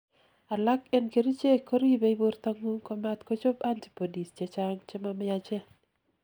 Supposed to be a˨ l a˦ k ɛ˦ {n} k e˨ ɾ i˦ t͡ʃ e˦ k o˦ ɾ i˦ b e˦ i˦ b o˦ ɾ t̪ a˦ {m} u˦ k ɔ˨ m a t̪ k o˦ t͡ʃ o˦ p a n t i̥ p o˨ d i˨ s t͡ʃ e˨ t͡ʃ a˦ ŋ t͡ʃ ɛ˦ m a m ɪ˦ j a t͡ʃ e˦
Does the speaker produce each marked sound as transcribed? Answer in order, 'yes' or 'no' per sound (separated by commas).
yes, no